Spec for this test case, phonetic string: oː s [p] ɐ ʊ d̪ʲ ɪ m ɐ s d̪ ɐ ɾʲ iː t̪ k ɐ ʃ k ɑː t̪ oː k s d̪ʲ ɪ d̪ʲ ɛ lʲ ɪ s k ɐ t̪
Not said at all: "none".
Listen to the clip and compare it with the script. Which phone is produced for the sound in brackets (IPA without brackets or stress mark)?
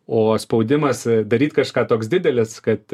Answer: p